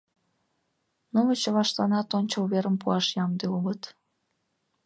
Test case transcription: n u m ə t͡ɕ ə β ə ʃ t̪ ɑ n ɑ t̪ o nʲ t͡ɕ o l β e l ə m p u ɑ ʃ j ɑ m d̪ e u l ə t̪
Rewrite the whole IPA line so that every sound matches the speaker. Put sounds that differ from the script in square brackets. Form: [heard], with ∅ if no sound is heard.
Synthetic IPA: n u m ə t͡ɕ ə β [ɑ] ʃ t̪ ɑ n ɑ t̪ o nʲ t͡ɕ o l β e [ɾ] ə m p u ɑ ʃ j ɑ m d̪ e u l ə t̪